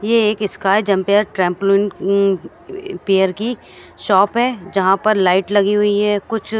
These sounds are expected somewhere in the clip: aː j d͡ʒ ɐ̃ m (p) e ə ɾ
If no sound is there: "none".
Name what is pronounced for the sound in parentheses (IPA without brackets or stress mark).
p